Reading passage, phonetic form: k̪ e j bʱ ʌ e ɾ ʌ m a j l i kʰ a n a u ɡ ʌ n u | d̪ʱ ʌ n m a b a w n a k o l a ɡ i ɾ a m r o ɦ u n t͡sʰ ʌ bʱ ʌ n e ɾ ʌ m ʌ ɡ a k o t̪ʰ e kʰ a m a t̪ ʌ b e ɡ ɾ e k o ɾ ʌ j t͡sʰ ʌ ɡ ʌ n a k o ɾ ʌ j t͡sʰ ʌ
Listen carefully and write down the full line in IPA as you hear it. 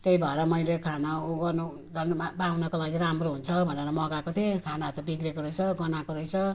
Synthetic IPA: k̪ e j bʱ ʌ e ɾ ʌ m ʌ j l e kʰ a n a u ɡ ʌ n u | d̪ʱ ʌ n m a b a w n ʌ k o l a ɡ i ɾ a m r o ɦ u n t͡sʰ ʌ bʱ ʌ n e ɾ ʌ m ʌ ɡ a k o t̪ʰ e kʰ a n a t̪ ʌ b i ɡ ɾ e k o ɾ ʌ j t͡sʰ ʌ ɡ ʌ n a k o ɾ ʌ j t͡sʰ ʌ